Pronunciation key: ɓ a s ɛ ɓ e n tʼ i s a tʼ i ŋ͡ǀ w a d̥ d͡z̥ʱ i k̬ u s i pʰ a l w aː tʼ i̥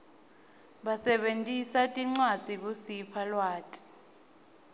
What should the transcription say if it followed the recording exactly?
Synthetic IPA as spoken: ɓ a s ɛ ɓ e n tʼ i s a tʼ i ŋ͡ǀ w a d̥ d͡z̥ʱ i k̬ u s i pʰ a l w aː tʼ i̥